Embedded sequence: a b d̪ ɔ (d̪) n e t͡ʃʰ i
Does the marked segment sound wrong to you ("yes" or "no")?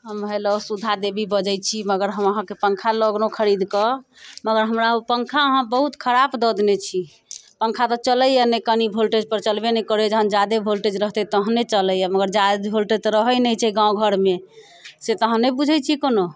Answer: no